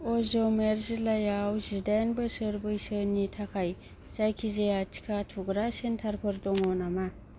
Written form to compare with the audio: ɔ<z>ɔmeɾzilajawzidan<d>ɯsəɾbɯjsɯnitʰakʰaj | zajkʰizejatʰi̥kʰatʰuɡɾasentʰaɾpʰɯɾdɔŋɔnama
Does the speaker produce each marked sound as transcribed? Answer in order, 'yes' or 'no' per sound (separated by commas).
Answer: yes, no